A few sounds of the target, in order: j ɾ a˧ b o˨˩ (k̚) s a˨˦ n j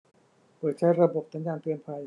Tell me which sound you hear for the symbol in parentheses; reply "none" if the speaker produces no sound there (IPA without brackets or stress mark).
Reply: p̚